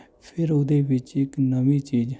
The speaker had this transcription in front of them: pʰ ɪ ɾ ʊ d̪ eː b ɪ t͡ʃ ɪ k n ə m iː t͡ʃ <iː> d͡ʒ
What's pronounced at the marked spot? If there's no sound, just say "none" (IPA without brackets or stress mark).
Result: iː